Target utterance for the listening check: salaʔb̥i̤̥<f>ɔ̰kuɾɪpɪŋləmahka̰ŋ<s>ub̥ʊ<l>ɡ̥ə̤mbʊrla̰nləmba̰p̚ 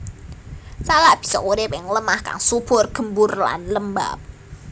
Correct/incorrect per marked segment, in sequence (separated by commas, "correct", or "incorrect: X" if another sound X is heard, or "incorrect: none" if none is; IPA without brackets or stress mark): incorrect: s, correct, incorrect: r